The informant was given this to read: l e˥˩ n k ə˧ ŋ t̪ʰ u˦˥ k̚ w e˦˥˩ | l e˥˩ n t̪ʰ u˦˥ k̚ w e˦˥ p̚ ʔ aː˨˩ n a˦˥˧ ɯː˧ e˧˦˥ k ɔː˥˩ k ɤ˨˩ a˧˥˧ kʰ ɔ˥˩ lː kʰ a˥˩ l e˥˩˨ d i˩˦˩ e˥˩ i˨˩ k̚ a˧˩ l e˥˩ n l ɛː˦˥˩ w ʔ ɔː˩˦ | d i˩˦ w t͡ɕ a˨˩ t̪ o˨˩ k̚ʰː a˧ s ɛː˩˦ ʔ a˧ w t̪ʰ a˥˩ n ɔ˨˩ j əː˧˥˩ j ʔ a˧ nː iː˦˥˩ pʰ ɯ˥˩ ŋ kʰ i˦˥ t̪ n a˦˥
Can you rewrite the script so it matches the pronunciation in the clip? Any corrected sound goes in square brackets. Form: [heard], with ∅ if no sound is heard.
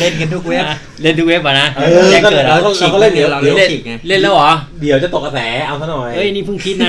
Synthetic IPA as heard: l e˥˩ n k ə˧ [n] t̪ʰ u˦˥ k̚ w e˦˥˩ | l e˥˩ n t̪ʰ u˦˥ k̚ w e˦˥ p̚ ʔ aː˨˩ n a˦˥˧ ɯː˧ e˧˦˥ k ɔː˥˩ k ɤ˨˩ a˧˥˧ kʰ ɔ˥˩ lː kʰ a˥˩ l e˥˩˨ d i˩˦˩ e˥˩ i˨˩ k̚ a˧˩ l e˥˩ n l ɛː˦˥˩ w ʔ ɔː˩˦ | d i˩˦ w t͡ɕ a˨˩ t̪ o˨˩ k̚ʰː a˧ s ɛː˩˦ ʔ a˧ w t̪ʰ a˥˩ n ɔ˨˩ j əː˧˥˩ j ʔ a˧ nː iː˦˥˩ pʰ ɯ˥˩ ŋ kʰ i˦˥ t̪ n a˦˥